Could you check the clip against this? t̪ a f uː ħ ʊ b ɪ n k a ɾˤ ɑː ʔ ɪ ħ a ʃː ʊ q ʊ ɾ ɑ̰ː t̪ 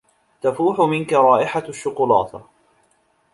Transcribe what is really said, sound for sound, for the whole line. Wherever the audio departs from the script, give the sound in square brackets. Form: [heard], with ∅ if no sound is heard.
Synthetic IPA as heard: t̪ a f uː ħ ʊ [m] ɪ n k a ɾˤ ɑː ʔ ɪ ħ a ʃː ʊ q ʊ [l] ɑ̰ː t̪